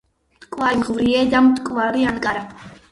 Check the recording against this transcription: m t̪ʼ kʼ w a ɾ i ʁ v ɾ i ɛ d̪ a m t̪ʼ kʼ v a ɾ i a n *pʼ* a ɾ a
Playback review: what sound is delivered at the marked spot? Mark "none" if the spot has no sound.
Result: kʼ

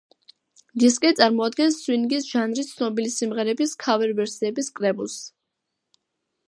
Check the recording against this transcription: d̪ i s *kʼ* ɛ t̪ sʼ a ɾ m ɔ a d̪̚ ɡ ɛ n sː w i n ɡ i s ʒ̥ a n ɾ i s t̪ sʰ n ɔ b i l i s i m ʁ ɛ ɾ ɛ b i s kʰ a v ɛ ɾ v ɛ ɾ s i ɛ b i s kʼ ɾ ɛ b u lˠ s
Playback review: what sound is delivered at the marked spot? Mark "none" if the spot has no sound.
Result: kʼ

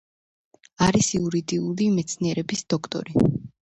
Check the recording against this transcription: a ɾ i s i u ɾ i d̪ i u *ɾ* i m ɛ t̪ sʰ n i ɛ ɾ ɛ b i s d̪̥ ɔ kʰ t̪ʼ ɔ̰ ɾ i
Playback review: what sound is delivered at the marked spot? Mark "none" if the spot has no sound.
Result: l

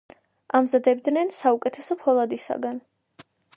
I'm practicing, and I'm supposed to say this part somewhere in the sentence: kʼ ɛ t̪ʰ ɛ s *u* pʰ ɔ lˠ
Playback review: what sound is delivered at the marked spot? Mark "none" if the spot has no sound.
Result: ɔ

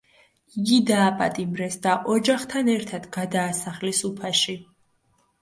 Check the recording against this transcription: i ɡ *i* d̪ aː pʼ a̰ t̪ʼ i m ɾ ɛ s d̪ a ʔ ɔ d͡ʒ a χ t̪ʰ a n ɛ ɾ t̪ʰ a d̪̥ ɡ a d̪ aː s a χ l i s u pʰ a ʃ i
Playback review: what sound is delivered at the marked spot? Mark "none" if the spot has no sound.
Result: i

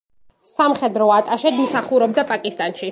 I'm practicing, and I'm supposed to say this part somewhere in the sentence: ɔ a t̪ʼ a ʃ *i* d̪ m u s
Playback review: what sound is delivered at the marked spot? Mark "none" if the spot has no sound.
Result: ɛ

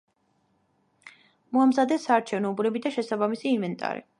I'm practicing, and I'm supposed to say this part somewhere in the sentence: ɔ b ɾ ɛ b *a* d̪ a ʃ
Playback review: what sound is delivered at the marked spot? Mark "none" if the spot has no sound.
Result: i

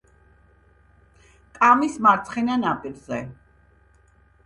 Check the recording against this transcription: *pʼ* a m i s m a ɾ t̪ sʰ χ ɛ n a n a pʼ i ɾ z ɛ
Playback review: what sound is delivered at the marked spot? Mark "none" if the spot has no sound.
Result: kʼ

